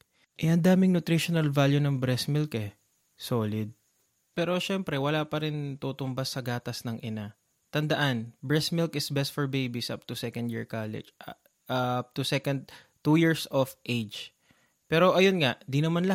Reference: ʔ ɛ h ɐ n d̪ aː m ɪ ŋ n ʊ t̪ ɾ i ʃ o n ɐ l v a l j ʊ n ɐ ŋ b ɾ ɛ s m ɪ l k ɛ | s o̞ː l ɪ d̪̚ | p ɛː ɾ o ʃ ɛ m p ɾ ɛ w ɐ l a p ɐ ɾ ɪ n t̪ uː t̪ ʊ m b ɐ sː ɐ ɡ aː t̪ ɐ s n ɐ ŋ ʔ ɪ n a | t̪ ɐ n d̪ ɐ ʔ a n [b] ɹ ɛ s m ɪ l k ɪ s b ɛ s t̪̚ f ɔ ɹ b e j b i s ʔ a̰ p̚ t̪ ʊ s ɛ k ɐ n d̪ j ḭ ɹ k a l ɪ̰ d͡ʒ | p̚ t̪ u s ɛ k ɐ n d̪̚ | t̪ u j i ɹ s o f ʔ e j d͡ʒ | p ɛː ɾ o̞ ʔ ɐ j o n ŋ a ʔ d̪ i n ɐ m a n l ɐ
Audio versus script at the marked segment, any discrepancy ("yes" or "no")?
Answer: no